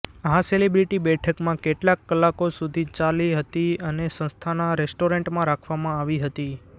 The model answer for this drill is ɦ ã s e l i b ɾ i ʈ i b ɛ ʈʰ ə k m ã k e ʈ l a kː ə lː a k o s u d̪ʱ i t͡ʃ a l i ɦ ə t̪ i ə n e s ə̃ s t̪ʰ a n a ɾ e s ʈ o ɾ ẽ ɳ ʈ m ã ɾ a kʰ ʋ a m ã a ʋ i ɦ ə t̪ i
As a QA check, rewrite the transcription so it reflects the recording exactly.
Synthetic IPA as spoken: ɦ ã s e l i b ɾ i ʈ i b ɛ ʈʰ ə k m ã k e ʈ l a kː ə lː a k o s u d̪ʱ i t͡ʃ a l i ɦ ə t̪ i ə n e s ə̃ s t̪ʰ a n a ɾ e s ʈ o ɾ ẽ ɳ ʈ m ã ɾ a kʰ ʋ a m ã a ʋ i ɦ ə t̪ i